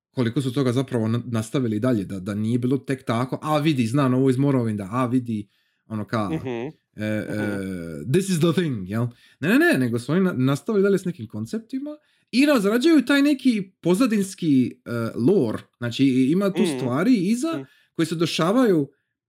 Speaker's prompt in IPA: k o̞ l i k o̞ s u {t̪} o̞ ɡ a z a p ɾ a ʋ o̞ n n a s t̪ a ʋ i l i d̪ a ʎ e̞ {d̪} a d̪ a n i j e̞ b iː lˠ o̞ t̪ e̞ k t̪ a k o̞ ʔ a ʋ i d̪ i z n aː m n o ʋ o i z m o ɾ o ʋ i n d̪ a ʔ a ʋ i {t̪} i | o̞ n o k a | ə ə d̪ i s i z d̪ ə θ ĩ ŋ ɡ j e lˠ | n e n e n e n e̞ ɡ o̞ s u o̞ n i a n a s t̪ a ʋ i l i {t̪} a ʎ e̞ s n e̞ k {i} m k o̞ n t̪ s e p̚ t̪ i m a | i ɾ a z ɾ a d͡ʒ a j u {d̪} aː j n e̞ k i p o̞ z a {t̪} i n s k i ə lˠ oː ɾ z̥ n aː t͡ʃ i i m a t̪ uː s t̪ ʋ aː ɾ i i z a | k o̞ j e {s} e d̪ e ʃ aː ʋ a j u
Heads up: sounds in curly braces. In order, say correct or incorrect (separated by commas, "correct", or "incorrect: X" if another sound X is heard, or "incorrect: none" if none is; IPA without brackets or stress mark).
correct, correct, incorrect: d̪, incorrect: d̪, correct, incorrect: t̪, incorrect: d̪, correct